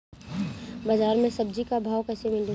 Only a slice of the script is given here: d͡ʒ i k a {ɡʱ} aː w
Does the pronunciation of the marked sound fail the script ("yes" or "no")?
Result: yes